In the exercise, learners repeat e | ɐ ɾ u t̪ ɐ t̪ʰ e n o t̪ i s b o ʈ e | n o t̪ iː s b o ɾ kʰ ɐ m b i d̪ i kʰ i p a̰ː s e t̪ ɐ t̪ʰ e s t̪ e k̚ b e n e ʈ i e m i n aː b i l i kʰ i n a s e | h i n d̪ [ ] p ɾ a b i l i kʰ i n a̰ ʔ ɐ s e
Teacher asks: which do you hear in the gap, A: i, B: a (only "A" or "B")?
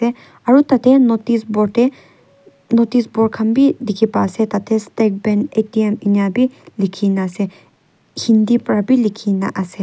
A